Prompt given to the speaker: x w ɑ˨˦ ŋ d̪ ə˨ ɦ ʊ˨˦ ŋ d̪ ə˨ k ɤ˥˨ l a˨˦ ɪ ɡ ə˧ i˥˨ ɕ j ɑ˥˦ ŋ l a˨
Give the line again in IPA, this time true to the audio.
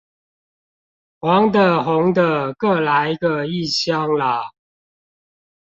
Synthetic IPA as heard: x w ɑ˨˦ ŋ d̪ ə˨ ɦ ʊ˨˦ ŋ d̪ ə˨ k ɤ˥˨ l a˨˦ ɪ ɡ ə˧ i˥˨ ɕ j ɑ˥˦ ŋ l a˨